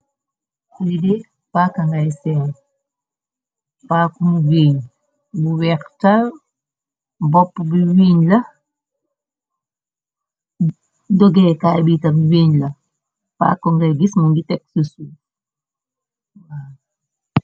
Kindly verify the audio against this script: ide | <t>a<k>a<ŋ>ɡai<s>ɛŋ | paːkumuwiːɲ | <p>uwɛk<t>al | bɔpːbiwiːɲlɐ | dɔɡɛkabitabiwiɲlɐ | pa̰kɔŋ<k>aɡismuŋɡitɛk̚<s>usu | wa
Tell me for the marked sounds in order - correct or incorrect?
incorrect: p, correct, correct, correct, incorrect: b, correct, incorrect: ɡ, correct

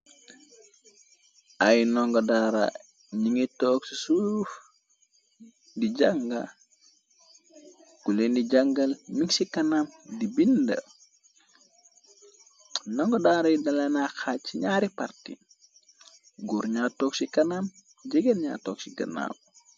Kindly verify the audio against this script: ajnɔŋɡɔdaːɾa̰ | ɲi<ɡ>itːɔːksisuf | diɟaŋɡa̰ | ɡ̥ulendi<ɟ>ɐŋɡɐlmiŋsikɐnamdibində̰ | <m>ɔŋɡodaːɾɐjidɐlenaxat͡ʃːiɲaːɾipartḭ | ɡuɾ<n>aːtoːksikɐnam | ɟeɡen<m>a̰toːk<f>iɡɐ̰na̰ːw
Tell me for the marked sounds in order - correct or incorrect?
incorrect: ŋ, correct, incorrect: n, incorrect: ɲ, incorrect: ɲ, incorrect: s

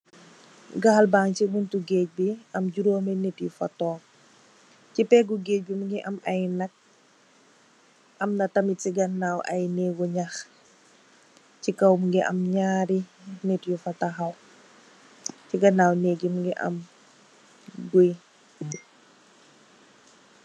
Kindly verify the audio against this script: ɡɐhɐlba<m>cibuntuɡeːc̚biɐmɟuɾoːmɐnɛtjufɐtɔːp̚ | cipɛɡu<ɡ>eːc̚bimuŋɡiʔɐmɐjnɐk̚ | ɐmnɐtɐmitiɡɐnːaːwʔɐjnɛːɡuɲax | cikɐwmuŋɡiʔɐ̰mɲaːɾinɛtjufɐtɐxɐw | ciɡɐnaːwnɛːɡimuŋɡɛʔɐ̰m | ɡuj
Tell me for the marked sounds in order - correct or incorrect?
incorrect: ŋ, correct

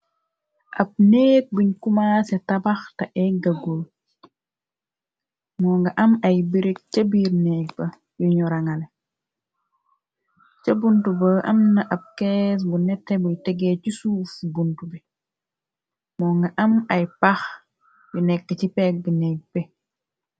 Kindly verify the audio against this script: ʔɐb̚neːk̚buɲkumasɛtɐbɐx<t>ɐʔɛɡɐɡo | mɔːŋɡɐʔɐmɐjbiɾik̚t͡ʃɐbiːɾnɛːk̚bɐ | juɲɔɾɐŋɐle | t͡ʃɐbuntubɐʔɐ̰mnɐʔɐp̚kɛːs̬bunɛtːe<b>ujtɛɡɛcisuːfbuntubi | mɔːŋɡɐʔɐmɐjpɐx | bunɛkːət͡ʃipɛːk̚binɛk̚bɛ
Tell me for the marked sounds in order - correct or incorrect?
correct, correct

